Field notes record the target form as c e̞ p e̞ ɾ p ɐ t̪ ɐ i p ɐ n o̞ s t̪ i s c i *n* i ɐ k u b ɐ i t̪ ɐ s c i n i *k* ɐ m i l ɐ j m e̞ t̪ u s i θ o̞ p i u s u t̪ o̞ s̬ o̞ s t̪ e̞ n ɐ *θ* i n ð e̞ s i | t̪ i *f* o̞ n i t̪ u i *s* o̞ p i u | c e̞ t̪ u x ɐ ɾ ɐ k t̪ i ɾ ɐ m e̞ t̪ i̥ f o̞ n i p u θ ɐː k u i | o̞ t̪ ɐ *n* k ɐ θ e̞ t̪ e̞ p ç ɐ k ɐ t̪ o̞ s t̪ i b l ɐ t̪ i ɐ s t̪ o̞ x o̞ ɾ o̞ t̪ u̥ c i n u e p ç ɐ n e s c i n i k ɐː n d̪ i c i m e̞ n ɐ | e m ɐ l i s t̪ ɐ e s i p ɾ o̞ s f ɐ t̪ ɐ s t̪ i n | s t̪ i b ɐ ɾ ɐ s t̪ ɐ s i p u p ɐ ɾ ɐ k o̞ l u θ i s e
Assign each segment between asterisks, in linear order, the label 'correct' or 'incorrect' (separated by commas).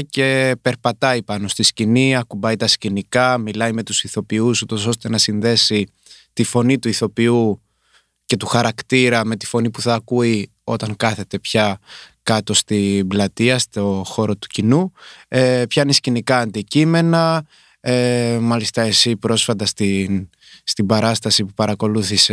correct, correct, incorrect, correct, incorrect, incorrect